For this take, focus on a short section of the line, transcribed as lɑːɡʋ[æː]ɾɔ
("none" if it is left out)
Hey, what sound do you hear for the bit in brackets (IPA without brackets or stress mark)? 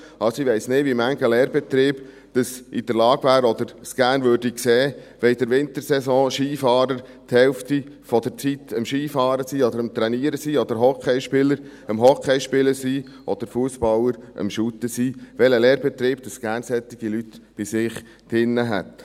æː